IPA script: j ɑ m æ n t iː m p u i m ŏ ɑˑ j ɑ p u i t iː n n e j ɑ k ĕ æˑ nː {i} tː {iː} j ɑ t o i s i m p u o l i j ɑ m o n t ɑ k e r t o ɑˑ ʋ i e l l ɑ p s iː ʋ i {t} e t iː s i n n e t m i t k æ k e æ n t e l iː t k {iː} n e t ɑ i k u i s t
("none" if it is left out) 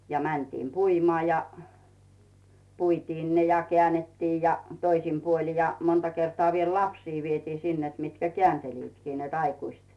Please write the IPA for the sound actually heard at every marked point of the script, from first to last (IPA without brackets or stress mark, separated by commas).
e, iː, none, iː